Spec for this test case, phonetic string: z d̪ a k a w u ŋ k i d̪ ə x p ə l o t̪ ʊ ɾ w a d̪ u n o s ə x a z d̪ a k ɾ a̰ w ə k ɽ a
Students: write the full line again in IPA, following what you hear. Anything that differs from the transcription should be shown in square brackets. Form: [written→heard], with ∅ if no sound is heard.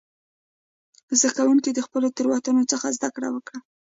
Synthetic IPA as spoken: z d̪ a k a w u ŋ k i d̪ ə x p ə l o t̪ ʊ ɾ w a [d̪→t̪] u n o [s→t͡s] ə x a z d̪ a k [ɾ→ɽ] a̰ w ə k ɽ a